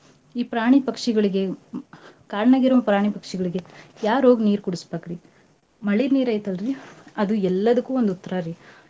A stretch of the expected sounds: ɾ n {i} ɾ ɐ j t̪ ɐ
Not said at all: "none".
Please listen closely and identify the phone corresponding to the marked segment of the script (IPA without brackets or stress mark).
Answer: iː